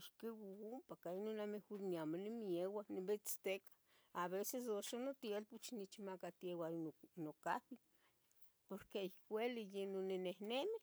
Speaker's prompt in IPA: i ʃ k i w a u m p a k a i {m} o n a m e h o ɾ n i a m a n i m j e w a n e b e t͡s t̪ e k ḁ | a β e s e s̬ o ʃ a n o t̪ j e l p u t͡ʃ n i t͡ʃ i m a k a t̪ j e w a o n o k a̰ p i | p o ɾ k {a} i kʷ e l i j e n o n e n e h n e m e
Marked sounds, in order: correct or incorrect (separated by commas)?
incorrect, incorrect